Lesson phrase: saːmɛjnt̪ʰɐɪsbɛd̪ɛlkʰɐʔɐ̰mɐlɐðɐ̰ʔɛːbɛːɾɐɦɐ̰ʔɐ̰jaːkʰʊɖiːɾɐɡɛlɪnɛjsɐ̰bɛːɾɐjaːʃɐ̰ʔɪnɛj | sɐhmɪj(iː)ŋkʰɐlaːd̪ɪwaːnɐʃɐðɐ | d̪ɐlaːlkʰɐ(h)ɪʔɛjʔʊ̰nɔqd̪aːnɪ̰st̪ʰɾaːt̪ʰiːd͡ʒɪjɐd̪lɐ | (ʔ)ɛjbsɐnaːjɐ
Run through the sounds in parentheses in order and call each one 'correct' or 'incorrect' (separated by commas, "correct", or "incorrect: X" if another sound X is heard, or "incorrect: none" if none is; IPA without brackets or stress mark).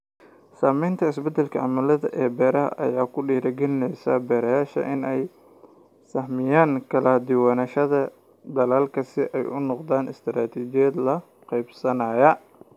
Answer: incorrect: aː, incorrect: s, incorrect: q